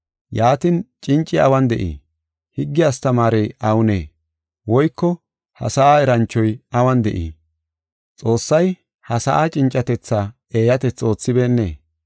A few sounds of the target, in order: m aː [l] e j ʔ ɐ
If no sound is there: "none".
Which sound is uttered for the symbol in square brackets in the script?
ɾ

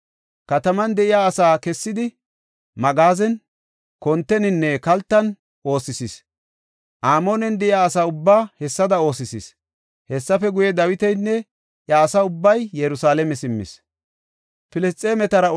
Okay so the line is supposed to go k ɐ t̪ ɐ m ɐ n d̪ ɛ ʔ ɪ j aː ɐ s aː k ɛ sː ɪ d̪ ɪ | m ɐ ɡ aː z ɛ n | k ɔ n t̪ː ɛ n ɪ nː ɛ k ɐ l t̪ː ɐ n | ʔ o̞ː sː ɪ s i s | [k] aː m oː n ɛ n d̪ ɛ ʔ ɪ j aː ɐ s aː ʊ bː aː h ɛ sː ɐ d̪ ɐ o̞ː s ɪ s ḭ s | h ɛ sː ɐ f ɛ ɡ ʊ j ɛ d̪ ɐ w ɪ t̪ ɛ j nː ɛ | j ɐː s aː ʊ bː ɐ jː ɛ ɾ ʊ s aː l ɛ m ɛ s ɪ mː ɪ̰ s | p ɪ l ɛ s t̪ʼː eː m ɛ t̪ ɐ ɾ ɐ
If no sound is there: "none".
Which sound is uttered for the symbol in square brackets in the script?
ʔ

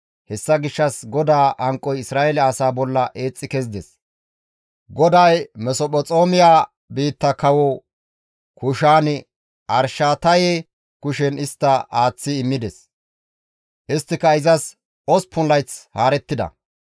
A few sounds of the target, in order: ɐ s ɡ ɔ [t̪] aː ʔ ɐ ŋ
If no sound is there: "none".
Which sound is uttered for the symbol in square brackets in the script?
d̪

